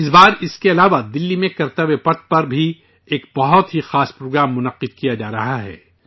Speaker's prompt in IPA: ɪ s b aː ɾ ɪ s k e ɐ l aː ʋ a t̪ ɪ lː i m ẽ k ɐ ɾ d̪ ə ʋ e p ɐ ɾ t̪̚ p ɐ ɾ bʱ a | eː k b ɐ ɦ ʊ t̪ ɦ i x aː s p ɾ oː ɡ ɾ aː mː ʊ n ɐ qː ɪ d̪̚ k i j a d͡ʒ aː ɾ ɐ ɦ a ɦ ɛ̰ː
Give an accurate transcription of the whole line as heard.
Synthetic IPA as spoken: ɪ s b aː ɾ ɪ s k e ɐ l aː ʋ a d̪ ɪ lː i m ẽ k ɐ ɾ t̪ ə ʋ e p ɐ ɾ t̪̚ p ɐ ɾ bʱ i | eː k b ɐ ɦ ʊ t̪ ɦ i x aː s p ɾ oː ɡ ɾ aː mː ʊ n ɐ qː ɪ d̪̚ k i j a d͡ʒ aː ɾ ɐ ɦ a ɦ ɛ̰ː